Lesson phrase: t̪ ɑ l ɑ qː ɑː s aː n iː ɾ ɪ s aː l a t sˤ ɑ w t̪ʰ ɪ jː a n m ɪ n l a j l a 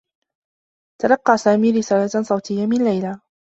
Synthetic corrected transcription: t̪ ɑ l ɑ qː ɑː s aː m iː ɾ ɪ s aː l a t sˤ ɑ w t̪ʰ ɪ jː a m ɪ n l a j l a